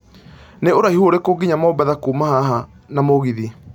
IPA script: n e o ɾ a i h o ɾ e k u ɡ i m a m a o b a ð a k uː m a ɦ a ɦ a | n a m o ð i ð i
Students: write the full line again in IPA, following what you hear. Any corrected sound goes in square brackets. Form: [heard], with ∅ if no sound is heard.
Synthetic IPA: n e o ɾ a i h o ɾ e k [o] ɡ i [ɲ] a m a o b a ð a k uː m a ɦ a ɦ a | n a m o [ɣ] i ð i